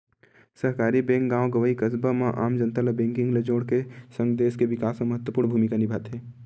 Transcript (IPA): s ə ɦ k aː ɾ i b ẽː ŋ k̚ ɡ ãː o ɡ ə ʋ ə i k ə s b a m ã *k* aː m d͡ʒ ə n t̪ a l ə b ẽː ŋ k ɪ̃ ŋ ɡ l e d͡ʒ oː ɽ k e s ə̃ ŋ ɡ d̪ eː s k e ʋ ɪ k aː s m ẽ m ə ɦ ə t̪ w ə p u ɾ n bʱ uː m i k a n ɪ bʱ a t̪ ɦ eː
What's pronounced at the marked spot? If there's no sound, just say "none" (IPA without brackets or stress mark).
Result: ʔ